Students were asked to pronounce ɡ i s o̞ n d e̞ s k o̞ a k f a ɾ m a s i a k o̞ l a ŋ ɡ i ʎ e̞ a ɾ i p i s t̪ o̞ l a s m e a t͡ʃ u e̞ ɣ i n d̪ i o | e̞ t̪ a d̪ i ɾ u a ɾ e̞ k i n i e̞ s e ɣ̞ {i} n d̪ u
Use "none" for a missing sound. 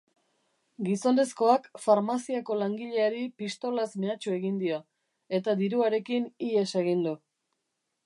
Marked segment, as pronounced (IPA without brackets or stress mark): i